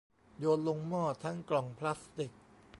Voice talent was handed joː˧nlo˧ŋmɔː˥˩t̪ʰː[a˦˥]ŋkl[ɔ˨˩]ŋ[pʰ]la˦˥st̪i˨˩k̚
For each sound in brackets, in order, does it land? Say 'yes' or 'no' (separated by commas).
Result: yes, yes, yes